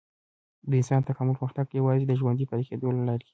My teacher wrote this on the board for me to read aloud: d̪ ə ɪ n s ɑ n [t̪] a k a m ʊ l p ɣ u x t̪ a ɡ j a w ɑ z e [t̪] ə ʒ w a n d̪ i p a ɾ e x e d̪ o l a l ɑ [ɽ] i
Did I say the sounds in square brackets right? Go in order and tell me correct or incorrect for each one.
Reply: correct, incorrect, incorrect

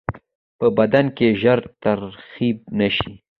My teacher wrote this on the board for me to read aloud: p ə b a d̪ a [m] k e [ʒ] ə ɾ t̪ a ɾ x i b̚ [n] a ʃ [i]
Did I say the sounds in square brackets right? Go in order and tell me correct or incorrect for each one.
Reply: incorrect, correct, correct, correct

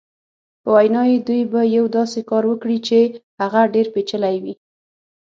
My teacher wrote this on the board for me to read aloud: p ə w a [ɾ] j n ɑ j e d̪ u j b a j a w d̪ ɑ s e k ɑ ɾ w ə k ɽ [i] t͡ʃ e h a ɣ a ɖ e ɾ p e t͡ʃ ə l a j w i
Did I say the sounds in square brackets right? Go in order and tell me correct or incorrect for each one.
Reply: incorrect, correct

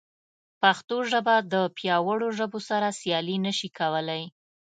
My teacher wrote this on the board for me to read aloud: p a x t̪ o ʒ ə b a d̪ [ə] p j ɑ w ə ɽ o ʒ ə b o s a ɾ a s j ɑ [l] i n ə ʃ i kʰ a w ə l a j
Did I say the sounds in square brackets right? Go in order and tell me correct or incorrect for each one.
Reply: correct, correct

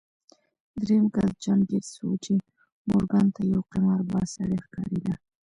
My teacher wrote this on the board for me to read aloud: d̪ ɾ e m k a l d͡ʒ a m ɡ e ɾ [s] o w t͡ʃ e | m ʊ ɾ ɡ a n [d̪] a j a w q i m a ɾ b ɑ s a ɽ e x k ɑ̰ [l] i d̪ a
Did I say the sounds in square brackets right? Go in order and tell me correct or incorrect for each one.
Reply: correct, incorrect, incorrect

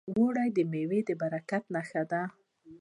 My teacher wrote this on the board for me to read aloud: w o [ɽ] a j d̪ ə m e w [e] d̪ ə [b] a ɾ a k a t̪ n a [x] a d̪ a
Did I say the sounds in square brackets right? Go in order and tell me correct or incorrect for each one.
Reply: correct, correct, correct, correct

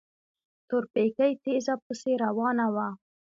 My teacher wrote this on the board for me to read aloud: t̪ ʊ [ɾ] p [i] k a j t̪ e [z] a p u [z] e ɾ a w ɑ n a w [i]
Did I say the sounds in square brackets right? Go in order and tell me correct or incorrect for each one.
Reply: correct, incorrect, correct, incorrect, incorrect

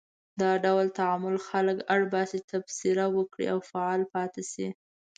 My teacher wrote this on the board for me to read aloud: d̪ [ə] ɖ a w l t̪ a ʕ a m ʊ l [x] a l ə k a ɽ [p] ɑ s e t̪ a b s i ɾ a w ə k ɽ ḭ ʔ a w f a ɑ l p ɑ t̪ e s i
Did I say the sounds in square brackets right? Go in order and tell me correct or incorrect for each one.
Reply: incorrect, correct, incorrect

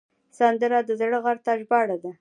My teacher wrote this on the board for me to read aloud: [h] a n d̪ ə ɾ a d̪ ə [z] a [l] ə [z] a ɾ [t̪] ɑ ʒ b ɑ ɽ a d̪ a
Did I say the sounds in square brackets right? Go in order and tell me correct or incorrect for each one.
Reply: incorrect, correct, incorrect, incorrect, correct

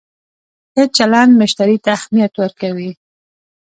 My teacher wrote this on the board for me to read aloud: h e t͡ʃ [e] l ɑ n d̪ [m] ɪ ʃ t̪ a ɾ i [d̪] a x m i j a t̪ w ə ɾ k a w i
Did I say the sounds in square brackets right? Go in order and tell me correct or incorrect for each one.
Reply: incorrect, correct, incorrect

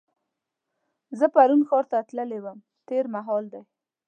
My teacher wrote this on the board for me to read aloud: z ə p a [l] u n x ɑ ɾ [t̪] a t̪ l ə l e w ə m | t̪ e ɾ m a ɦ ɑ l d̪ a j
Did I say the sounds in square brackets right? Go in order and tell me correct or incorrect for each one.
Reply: incorrect, correct

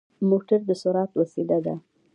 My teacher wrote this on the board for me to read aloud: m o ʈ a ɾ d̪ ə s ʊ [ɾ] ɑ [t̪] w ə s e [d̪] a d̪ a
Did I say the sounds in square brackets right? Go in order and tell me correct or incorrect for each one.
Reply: correct, correct, correct

